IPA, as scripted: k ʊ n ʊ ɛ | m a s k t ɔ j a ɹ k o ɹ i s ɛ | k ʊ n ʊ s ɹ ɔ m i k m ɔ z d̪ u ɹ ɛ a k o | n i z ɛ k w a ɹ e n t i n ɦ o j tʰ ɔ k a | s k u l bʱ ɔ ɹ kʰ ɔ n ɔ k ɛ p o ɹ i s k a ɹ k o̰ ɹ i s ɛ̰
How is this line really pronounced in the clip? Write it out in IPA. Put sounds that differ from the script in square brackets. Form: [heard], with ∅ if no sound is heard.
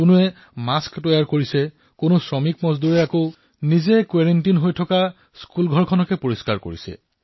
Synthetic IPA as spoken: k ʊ n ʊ ɛ | m a s k t ɔ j a ɹ k o ɹ i s ɛ | k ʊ n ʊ s ɹ ɔ m i k m ɔ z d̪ u ɹ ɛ a k o | n i z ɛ k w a ɹ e n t i n ɦ o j tʰ ɔ k a | s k u l [ɡʱ] ɔ ɹ kʰ ɔ n ɔ k ɛ p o ɹ i s k a ɹ k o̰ ɹ i s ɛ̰